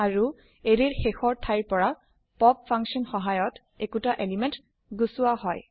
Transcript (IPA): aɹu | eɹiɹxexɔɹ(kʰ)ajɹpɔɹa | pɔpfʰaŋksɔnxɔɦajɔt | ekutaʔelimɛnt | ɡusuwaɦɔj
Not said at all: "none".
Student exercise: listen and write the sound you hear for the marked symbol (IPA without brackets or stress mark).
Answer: tʰ